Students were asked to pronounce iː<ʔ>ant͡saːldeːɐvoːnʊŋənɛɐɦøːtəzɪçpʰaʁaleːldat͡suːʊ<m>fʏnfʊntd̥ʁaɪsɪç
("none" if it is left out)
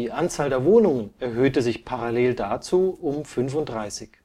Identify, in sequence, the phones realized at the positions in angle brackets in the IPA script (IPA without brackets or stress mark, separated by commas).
ʔ, m